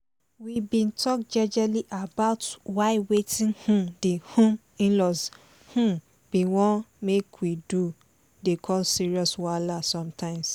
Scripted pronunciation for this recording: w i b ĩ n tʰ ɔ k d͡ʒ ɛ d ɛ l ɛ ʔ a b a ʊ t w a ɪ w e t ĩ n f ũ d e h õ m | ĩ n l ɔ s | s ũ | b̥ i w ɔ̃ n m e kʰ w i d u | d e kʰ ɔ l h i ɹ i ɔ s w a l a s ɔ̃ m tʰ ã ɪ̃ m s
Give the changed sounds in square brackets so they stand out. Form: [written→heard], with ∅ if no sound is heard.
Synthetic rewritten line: w i b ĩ n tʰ ɔ k d͡ʒ ɛ [d→d͡ʒ] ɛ l [ɛ→i] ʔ a b a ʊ t w a ɪ w e t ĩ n [f→h] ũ d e h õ m | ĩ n l ɔ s | [s→h] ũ | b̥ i w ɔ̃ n m e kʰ w i d u | d e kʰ ɔ l [h→s] i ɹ i ɔ s w a l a s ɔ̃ m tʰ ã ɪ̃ m s